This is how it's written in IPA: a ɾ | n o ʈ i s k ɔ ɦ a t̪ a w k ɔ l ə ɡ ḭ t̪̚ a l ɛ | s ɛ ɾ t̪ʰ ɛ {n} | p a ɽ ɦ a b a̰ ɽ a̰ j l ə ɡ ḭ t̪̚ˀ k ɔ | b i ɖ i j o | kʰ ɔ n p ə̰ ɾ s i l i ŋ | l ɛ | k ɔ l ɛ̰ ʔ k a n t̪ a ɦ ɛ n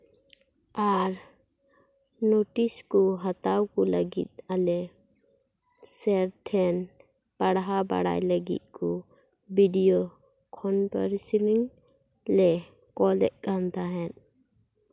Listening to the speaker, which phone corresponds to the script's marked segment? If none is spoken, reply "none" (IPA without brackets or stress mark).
n